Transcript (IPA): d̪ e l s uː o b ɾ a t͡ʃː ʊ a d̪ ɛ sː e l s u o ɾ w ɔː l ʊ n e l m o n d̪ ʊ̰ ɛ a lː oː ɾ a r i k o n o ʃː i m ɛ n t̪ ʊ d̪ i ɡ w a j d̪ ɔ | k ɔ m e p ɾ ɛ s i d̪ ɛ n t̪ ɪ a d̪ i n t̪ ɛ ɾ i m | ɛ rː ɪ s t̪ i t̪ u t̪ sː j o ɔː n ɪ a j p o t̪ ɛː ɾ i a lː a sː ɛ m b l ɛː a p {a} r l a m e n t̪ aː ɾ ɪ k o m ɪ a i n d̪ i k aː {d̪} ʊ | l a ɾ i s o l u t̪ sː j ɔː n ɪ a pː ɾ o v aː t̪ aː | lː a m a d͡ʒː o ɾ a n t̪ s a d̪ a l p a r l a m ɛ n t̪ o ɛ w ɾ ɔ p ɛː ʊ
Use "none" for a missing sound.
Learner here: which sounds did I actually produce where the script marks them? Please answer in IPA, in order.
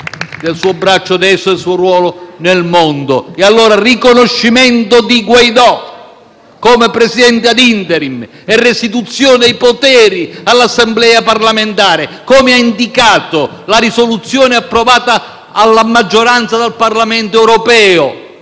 a, t̪

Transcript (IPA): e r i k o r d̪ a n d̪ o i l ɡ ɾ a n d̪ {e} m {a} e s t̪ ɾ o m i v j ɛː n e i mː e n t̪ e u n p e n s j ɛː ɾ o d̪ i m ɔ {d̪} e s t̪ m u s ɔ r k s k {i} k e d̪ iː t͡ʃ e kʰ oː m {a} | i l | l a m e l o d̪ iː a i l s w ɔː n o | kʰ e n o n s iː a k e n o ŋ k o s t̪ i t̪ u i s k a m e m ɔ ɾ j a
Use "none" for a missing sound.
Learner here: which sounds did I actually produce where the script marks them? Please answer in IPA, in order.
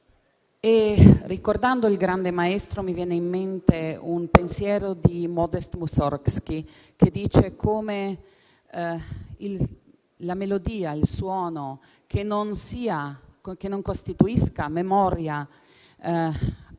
e, a, d̪, i, e

